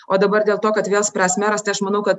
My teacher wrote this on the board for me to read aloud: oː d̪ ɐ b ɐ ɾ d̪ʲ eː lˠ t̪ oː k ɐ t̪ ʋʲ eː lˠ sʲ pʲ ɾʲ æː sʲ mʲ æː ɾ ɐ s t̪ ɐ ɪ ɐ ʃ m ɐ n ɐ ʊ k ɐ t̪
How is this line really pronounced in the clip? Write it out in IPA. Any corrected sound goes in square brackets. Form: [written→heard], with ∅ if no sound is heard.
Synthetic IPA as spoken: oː d̪ ɐ b ɐ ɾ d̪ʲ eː lˠ t̪ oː k ɐ t̪ ʋʲ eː lˠ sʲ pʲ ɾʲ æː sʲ mʲ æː ɾ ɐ s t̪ ɐ ɪ ɐ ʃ m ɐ n ɐ ʊ k ɐ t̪